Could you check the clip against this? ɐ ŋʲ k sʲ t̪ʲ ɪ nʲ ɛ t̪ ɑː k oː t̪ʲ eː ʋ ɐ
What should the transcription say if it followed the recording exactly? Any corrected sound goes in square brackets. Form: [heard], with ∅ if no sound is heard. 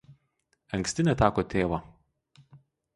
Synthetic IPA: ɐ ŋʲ k sʲ t̪ʲ ɪ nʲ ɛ t̪ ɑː k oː t̪ʲ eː ʋ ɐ